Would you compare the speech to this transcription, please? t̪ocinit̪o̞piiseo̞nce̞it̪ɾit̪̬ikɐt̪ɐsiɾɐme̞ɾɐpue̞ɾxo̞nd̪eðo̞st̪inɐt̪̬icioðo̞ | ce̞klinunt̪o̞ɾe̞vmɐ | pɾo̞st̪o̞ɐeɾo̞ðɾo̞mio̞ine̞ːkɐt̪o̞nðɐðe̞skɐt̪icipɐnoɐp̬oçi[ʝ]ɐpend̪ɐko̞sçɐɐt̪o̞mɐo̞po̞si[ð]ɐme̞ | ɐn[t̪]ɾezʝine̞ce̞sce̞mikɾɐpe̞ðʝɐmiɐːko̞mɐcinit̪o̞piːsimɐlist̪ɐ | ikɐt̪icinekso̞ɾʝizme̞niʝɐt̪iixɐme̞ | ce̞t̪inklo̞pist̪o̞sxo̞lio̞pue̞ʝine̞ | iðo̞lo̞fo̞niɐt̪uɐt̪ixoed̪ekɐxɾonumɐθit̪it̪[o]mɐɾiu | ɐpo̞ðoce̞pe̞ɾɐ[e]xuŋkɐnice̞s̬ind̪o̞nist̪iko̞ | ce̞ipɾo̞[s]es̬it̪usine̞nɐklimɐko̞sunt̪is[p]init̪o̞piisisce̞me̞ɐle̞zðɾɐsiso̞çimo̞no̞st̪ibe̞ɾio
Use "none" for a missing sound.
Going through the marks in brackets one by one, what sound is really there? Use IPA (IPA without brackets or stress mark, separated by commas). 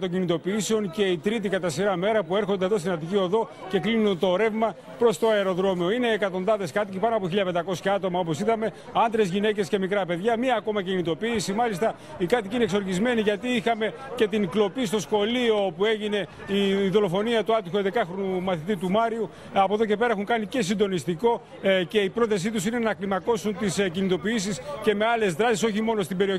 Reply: ʎ, ð, d̪, u, e, θ, c